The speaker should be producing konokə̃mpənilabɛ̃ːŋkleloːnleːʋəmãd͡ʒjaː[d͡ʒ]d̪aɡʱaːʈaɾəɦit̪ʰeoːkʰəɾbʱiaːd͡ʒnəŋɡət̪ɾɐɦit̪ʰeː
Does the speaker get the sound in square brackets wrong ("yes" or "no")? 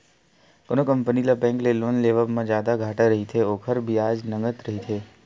yes